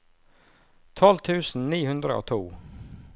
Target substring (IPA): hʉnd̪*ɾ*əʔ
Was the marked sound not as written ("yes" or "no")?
no